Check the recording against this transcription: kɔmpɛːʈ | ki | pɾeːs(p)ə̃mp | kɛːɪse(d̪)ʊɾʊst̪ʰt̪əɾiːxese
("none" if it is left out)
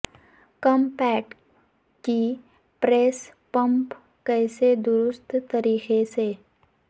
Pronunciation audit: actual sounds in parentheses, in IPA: p, d̪

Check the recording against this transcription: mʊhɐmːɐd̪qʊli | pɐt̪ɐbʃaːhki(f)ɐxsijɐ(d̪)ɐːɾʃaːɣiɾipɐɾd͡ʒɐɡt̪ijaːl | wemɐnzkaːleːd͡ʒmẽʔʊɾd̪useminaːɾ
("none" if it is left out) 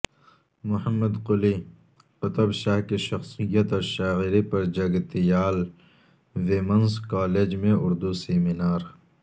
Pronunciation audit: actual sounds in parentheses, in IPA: ʃ, t̪

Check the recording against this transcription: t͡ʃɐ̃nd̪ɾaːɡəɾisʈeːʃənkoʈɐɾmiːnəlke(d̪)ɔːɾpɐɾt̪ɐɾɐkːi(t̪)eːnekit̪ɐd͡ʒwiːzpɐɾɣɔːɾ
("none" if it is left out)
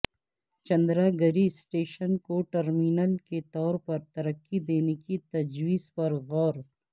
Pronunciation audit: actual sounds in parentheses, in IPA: t̪, d̪

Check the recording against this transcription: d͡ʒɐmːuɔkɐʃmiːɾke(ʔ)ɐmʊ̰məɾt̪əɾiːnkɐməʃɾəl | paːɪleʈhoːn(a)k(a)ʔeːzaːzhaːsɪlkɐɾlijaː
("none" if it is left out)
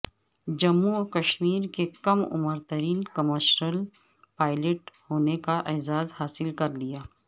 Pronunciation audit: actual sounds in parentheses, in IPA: k, e, a

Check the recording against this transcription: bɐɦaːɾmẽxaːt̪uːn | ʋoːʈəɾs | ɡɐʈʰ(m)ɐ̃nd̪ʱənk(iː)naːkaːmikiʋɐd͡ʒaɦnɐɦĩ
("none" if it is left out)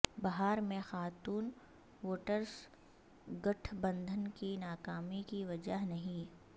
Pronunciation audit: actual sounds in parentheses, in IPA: b, i

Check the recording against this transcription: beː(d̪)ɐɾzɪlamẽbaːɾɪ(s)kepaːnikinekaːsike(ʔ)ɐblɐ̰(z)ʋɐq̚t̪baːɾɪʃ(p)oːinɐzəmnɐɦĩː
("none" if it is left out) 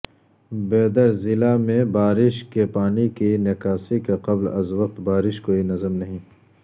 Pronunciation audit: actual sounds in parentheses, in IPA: d̪, ʃ, q, z, k

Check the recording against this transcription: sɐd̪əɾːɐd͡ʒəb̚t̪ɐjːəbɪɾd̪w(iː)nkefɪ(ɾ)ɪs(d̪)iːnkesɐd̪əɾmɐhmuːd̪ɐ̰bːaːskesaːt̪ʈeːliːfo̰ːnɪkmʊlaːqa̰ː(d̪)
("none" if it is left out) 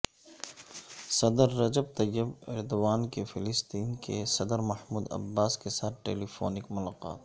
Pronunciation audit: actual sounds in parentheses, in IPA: aː, l, t̪, t̪

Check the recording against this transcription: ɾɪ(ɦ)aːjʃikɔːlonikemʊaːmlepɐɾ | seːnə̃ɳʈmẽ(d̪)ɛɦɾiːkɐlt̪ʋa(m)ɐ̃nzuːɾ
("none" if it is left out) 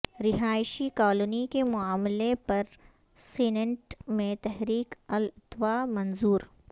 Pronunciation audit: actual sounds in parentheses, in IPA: ɦ, t̪, m

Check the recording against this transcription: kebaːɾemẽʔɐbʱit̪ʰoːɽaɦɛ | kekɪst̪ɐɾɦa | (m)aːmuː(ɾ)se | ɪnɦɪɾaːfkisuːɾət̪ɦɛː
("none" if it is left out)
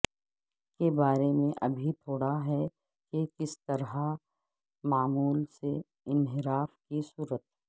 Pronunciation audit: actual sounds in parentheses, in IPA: m, l

